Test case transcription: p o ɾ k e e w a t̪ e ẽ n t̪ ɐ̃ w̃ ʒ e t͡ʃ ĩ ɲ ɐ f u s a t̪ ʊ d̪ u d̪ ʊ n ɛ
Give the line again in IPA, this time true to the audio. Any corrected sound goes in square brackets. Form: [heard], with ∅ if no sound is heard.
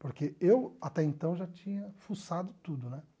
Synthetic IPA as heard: p o ɾ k e e w a t̪ [ɛ] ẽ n t̪ ɐ̃ w̃ ʒ [a] t͡ʃ ĩ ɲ ɐ f u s a [d̪] ʊ [t̪] u d̪ ʊ n ɛ